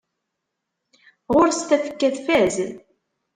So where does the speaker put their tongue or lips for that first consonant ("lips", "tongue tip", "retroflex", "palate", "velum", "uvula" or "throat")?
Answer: uvula